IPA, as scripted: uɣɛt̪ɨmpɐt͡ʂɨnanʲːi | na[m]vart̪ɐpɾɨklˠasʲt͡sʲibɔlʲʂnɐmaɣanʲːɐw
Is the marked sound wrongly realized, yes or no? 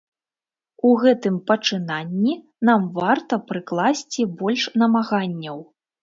no